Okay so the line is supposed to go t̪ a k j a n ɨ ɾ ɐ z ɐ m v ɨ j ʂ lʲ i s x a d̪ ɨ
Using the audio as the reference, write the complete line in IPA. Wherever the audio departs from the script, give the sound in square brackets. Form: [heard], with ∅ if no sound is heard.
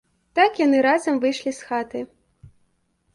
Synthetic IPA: t̪ a k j a n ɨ ɾ [a] z ɐ m v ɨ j ʂ lʲ i s x a [t̪] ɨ